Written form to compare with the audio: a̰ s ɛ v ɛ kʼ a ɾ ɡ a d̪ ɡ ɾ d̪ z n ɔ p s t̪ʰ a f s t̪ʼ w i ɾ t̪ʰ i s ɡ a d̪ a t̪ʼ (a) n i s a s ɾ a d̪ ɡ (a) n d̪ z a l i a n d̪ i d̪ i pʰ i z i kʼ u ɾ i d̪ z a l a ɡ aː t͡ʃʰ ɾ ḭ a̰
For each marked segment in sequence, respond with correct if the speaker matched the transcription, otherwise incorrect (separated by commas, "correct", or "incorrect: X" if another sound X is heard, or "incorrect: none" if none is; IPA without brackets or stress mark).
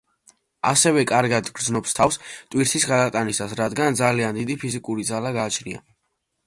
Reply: correct, correct